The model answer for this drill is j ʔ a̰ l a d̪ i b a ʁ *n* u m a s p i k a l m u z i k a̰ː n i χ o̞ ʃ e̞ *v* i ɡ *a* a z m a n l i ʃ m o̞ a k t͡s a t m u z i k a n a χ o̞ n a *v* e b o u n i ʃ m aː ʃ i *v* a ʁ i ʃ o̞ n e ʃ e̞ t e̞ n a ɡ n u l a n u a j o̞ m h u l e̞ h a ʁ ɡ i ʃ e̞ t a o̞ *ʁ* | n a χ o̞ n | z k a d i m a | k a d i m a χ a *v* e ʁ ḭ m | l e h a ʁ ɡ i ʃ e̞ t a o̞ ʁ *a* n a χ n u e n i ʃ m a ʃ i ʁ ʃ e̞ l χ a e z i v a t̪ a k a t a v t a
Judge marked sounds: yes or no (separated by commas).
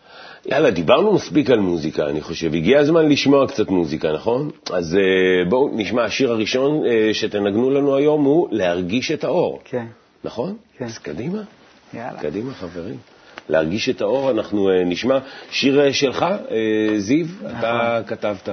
yes, yes, no, no, no, yes, yes, yes